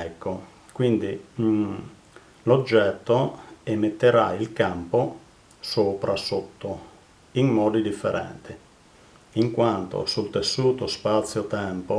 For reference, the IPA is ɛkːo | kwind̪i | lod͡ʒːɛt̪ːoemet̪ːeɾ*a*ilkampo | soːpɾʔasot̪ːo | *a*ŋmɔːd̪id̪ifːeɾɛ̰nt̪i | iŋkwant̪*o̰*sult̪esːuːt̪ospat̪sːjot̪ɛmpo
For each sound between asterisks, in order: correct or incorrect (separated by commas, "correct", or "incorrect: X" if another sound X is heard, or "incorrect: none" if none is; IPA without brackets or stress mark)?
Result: correct, incorrect: i, correct